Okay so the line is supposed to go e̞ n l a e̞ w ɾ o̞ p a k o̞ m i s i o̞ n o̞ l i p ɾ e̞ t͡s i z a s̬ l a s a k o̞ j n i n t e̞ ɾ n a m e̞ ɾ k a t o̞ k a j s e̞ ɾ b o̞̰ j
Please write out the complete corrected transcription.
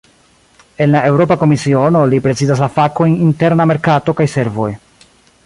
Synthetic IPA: e̞ n l a e̞ w ɾ o̞ p a k o̞ m i s i o̞ n o̞ l i p ɾ e̞ t͡s i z a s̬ l a f a k o̞ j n i n t e̞ ɾ n a m e̞ ɾ k a t o̞ k a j s e̞ ɾ v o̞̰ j